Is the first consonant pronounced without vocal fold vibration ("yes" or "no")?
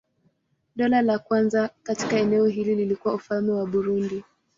no